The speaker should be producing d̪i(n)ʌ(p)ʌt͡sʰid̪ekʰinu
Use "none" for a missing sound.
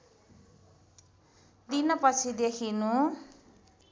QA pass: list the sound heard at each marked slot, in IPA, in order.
n, p

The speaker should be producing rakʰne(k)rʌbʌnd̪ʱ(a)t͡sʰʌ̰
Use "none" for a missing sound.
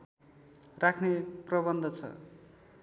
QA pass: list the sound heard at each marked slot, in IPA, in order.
p, ʌ

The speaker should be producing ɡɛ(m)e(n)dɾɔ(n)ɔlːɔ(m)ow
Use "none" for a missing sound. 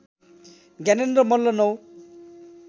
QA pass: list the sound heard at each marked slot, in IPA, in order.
n, n, m, n

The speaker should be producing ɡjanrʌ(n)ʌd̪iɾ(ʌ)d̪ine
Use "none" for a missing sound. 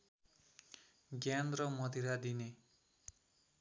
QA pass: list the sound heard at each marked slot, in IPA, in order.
m, a

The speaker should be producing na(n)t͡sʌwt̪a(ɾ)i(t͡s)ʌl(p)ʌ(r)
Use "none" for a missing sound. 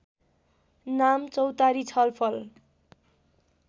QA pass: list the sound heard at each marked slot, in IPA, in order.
m, ɾ, t͡sʰ, pʰ, l

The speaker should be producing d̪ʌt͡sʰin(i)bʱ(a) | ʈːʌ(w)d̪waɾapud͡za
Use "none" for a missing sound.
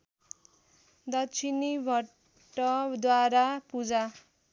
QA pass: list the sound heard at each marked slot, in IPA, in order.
i, ʌ, none

